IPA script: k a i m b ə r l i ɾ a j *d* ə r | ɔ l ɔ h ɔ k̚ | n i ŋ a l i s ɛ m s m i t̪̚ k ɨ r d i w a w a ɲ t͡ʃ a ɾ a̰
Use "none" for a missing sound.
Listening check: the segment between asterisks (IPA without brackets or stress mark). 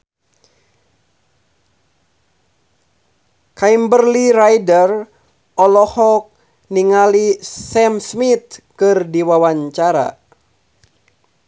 d